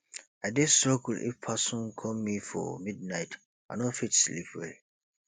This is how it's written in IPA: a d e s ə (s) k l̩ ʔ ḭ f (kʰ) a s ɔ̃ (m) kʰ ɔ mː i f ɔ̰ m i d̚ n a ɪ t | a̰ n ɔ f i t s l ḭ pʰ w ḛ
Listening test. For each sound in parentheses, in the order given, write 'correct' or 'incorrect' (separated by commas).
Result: incorrect, incorrect, incorrect